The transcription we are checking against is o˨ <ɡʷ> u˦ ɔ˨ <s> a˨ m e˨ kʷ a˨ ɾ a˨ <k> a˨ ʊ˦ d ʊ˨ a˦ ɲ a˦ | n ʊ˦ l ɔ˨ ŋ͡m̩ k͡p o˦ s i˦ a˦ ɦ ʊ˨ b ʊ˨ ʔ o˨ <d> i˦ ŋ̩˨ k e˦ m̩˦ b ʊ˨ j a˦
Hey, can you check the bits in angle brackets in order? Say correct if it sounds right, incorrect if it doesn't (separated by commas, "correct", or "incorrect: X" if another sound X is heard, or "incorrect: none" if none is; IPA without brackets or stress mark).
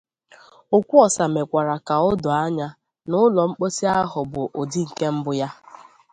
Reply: incorrect: kʷ, correct, correct, correct